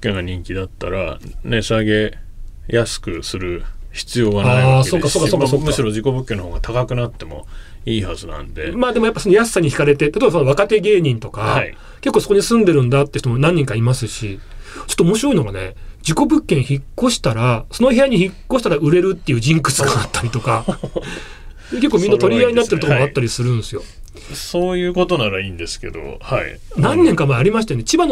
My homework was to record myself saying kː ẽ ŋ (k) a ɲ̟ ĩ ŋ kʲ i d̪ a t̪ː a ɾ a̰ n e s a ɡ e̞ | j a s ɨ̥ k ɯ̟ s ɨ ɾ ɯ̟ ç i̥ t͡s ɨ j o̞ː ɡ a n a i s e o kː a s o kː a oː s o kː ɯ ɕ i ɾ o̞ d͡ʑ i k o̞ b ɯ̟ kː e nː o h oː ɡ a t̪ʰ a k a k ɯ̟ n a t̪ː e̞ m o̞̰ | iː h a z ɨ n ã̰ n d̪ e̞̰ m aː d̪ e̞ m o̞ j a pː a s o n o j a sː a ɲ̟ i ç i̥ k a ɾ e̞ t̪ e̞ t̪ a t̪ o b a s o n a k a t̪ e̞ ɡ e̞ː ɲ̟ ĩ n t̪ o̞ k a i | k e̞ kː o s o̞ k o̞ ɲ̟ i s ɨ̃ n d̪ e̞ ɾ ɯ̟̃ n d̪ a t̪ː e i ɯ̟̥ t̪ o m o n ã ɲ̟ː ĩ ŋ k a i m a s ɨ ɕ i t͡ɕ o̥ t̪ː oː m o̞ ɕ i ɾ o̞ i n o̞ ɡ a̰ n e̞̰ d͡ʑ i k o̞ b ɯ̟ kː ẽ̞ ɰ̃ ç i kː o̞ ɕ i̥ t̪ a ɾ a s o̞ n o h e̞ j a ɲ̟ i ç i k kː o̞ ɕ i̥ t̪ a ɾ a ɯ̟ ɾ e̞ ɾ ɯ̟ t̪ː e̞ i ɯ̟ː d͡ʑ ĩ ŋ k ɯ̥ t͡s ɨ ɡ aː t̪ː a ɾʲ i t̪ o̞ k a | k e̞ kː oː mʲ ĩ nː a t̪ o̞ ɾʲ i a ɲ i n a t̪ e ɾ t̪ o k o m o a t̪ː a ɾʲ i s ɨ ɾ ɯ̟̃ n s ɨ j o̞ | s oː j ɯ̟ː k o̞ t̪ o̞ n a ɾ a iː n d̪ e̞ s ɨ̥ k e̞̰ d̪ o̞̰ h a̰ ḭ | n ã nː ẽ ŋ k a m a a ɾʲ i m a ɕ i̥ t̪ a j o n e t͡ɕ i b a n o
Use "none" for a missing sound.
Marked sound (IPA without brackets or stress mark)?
ɡ